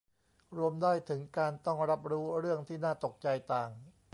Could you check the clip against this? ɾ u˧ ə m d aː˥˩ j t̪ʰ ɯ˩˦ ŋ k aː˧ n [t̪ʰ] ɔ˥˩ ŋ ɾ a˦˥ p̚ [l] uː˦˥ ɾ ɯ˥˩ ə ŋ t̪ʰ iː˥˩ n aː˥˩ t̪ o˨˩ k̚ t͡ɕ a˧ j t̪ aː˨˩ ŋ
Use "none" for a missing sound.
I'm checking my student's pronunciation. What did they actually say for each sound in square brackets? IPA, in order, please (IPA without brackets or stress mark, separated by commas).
t̪, ɾ